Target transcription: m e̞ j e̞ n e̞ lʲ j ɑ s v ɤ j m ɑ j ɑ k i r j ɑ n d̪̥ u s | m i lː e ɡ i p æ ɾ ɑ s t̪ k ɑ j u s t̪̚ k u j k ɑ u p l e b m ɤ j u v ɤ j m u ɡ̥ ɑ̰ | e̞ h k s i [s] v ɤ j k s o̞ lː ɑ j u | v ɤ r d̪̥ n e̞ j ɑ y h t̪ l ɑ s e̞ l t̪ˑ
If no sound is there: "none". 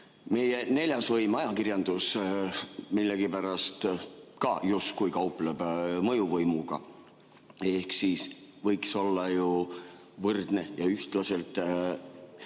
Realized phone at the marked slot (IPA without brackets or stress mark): s